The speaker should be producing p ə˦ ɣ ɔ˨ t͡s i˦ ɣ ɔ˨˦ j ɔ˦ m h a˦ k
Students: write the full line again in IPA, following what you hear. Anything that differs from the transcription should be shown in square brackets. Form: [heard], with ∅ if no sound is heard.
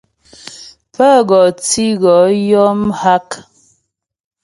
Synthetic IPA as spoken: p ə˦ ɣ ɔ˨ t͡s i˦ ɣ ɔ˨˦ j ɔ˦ m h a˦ k